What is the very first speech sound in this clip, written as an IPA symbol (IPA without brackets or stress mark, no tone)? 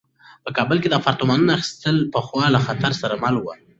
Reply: p